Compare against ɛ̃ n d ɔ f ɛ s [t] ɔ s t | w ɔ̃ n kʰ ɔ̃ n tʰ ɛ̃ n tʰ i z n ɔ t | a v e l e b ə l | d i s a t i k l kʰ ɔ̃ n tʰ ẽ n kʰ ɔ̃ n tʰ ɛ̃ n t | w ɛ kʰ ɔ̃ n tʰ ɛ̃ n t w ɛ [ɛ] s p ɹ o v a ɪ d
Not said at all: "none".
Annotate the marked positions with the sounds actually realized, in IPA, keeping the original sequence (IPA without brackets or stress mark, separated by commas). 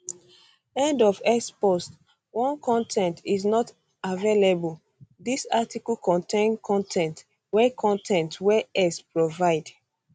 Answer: p, ɛ